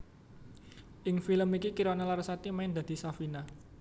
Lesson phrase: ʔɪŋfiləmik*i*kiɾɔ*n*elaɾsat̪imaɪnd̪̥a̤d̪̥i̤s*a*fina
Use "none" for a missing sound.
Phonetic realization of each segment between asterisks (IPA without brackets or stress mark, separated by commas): i, n, a